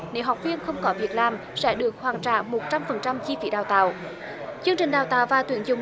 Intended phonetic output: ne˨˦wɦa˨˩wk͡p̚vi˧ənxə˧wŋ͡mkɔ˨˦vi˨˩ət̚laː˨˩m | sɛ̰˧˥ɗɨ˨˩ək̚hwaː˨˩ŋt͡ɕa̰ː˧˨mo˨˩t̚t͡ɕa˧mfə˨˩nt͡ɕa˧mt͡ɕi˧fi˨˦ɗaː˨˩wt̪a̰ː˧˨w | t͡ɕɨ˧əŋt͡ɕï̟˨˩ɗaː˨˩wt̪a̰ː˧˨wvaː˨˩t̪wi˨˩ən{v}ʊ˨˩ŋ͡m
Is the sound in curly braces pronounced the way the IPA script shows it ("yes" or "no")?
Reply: no